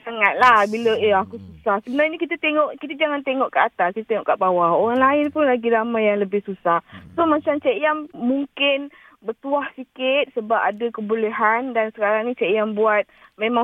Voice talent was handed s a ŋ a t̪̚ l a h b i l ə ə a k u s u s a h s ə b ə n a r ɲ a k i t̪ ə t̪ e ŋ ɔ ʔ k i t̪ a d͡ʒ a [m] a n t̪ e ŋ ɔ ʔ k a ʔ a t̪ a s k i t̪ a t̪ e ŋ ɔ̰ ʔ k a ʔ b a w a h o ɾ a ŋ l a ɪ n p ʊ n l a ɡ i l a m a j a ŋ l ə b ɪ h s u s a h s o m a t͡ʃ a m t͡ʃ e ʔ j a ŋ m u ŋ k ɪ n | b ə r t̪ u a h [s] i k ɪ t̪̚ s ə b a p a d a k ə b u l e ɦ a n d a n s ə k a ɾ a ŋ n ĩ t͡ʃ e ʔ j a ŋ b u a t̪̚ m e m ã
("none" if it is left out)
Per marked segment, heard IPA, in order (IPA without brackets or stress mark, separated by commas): ŋ, s